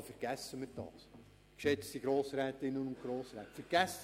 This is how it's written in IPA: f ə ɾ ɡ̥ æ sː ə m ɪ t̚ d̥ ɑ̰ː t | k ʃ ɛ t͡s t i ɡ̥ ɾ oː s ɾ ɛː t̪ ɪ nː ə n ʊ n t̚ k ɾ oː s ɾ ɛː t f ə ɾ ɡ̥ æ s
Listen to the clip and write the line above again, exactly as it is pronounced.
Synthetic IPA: f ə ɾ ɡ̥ æ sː ə m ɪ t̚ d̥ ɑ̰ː s | k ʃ ɛ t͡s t i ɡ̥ ɾ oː s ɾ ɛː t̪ ɪ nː ə n ʊ n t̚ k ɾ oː s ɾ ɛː t f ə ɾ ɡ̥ æ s